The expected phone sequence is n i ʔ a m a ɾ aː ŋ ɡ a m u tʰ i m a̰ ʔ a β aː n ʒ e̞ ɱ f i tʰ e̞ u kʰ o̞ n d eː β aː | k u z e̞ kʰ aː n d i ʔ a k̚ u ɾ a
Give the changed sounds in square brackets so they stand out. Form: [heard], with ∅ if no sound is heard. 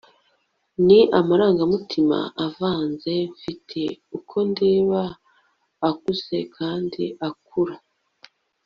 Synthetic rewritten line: n i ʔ a m a ɾ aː ŋ ɡ a m u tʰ i m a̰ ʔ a [v] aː n [z] e̞ ɱ f i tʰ e̞ u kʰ o̞ n d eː β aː | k u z e̞ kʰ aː n d i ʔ a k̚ u ɾ a